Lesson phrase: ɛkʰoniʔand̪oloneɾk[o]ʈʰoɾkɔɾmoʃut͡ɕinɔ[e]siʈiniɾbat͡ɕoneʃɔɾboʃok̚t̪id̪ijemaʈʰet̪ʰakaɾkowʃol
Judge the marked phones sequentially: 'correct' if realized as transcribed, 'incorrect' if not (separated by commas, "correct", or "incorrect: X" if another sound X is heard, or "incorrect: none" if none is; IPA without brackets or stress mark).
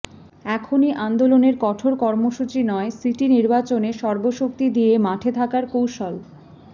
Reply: incorrect: ɔ, correct